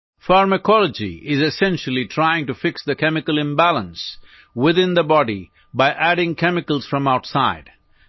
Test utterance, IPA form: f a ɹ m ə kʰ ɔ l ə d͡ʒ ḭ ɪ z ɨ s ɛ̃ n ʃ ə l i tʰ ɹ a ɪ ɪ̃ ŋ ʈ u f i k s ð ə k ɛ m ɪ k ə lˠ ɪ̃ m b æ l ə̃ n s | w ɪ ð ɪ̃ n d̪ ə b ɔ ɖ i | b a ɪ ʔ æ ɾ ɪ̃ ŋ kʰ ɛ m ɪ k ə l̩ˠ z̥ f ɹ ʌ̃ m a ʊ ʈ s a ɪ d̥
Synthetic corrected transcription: f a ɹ m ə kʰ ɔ l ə d͡ʒ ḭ ɪ z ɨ s ɛ̃ n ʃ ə l i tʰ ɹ a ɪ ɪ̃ ŋ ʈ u f ɪ k s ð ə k ɛ m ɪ k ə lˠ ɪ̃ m b æ l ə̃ n s | w ɪ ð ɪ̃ n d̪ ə b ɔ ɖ i | b a ɪ ʔ æ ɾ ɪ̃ ŋ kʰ ɛ m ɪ k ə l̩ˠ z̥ f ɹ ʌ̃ m a ʊ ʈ s a ɪ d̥